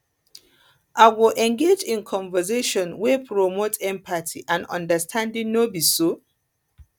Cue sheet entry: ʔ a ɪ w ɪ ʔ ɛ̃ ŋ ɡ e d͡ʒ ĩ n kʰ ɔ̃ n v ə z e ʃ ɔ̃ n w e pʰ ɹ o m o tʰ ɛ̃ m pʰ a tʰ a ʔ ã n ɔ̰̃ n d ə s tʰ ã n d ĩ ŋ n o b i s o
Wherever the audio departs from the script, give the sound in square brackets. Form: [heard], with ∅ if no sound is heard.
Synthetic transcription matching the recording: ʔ a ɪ w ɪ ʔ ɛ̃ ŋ ɡ e d͡ʒ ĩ n kʰ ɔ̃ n v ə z e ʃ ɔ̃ n w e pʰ ɹ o m o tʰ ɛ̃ m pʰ a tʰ [i] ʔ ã n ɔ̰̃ n d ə s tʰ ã n d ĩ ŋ n o b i s o